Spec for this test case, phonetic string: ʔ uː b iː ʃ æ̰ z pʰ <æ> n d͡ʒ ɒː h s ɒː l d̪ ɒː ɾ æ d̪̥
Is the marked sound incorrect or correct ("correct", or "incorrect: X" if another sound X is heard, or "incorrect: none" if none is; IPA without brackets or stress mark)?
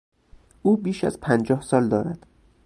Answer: correct